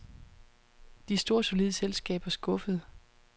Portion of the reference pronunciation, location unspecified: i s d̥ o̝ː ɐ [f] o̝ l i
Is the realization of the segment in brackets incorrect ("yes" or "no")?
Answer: yes